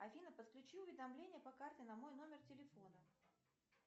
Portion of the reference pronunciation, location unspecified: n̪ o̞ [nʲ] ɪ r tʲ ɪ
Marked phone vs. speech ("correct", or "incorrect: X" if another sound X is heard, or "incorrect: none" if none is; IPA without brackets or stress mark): incorrect: mʲ